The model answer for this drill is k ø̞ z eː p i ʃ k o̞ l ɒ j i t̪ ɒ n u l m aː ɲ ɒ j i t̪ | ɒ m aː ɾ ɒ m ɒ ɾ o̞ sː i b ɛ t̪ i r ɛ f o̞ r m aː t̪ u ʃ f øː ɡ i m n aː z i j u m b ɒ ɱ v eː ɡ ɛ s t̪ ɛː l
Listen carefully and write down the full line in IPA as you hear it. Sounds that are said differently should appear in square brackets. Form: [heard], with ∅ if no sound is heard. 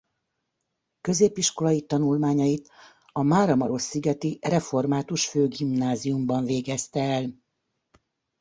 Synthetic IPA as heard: k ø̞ z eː p i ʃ k o̞ l ɒ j i t̪ ɒ n u l m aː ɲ ɒ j i t̪ | ɒ m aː ɾ ɒ m ɒ ɾ o̞ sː i [ɡ] ɛ t̪ i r ɛ f o̞ r m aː t̪ u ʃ f øː ɡ i m n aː z i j u m b ɒ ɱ v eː ɡ ɛ s t̪ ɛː l